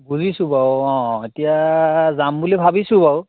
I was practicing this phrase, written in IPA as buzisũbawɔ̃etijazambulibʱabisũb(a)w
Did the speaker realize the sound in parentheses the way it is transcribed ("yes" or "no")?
yes